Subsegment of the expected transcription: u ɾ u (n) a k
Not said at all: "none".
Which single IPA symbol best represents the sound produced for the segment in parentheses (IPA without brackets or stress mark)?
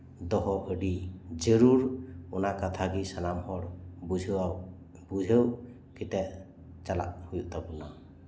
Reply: n